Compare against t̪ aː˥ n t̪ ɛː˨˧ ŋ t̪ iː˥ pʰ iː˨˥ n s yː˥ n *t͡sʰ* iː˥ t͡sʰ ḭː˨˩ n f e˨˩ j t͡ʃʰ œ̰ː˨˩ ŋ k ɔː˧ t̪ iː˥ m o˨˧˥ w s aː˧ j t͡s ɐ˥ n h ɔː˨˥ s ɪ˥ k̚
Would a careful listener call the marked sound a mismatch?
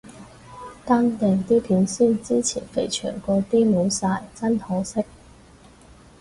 yes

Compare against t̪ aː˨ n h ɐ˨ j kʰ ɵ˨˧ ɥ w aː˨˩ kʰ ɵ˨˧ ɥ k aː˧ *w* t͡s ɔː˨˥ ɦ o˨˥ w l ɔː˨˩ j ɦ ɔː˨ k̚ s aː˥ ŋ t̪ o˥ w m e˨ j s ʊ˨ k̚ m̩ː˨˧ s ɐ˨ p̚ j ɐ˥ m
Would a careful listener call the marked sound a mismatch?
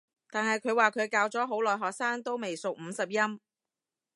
no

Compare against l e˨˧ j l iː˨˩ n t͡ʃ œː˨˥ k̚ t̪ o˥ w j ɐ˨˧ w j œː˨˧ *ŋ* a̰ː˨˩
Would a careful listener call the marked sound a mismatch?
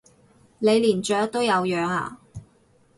no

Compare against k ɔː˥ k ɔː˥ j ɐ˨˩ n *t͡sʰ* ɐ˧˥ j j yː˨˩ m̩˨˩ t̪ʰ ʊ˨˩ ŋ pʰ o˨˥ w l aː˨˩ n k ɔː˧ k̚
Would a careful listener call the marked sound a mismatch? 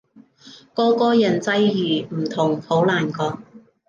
yes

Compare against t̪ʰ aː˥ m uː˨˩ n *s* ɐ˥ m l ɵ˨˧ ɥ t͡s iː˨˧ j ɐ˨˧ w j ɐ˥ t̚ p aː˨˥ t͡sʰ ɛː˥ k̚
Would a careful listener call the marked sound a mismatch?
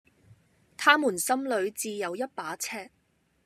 no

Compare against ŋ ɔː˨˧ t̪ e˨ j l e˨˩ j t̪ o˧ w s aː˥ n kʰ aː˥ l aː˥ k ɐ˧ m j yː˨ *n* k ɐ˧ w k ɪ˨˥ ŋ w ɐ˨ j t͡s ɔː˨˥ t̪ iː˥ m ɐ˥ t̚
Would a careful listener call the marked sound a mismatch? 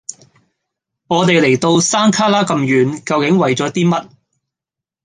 no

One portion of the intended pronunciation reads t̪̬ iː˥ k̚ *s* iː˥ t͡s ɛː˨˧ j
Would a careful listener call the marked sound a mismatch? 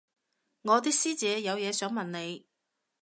no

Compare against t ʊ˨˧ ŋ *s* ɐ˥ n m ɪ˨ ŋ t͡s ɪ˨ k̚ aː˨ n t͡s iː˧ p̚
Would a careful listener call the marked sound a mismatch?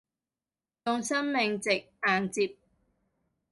no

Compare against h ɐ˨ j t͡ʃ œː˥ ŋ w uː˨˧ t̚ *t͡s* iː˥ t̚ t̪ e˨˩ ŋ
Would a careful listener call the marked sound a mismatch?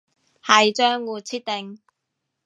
yes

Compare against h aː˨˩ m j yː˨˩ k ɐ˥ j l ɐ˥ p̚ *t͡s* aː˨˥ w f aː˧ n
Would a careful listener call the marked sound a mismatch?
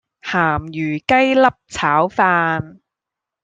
yes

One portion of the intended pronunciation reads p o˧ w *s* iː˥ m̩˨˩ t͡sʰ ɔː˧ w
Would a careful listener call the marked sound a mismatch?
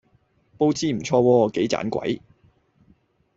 yes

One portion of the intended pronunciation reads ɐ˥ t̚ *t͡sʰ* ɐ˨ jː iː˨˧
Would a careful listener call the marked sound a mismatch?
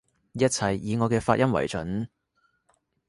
no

